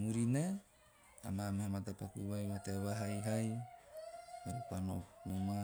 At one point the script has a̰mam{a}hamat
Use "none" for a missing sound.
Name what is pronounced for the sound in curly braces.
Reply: a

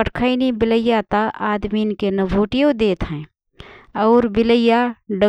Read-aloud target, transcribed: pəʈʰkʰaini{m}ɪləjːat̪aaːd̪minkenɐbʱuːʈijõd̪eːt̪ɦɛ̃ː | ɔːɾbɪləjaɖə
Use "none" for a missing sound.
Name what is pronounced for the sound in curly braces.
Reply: b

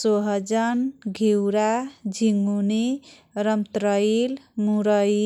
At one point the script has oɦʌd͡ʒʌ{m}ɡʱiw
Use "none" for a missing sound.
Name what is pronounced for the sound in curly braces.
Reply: n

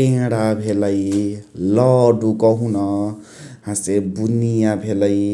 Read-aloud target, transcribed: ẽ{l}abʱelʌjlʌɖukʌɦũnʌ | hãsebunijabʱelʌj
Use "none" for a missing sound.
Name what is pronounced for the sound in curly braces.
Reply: ɽ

